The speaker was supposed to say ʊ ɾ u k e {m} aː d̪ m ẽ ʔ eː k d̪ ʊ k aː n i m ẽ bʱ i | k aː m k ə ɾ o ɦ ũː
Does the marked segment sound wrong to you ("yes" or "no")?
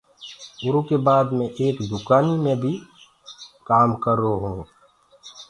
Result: yes